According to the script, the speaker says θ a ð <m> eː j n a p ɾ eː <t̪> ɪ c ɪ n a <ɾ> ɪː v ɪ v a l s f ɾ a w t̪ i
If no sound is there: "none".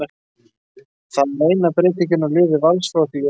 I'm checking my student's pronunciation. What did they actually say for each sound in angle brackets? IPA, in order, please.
m, t̪, l

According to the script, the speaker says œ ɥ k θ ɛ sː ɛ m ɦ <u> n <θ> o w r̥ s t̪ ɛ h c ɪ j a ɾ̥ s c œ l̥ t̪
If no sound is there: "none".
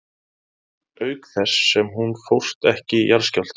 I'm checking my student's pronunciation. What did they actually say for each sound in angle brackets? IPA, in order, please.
u, f

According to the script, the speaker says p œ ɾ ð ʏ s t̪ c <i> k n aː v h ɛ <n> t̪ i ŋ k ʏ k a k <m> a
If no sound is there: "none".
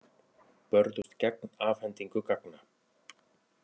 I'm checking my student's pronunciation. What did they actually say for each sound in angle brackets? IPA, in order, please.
ɛ, n, n

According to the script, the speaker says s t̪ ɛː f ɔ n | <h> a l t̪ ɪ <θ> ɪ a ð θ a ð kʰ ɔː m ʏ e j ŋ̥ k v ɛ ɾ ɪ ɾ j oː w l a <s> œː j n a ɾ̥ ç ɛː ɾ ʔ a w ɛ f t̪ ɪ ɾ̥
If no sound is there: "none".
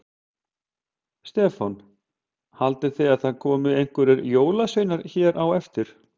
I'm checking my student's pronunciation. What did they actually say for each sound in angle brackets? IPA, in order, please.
h, θ, s

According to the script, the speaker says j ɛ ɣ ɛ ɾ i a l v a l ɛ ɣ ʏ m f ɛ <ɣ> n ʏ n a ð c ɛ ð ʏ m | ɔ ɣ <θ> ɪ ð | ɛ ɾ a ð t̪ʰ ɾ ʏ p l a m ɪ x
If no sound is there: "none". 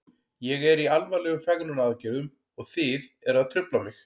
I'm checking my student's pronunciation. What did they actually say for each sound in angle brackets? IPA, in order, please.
ɣ, θ

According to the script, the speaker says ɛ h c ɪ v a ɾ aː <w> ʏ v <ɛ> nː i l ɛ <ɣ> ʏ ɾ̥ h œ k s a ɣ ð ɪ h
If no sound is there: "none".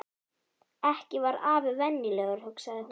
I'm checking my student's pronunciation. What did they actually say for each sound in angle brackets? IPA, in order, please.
v, ɛ, ɣ

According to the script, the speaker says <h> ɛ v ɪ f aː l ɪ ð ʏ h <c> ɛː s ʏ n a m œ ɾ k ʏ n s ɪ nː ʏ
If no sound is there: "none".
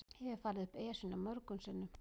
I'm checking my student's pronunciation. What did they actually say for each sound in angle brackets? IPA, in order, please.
h, p

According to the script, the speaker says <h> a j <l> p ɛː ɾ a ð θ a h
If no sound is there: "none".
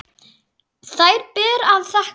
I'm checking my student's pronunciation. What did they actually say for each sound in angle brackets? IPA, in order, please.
θ, ɾ

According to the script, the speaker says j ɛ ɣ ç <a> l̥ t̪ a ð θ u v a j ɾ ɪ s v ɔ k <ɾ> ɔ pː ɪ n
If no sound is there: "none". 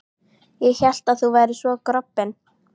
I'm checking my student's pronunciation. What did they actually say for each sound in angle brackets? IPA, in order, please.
ɛ, ɾ

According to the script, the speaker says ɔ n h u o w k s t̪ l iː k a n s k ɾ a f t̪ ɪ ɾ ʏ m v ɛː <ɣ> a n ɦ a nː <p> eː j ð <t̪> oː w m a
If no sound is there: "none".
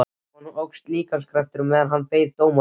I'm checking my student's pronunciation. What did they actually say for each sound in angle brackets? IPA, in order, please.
ð, p, t̪

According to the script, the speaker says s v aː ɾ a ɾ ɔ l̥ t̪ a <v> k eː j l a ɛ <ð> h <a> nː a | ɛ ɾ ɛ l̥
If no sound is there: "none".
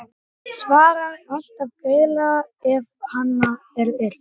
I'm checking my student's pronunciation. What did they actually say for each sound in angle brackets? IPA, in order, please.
v, v, a

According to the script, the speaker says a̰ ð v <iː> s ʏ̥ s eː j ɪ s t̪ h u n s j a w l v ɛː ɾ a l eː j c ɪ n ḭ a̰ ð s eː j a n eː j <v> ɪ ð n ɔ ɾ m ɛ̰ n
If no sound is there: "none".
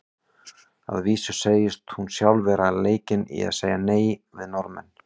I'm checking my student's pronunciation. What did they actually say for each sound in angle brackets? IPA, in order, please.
iː, v

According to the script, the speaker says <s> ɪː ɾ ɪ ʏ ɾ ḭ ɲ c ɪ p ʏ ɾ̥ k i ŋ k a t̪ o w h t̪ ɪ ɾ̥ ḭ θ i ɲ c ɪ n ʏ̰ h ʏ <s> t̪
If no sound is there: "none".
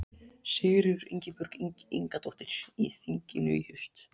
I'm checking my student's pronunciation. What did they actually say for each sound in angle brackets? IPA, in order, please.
s, s

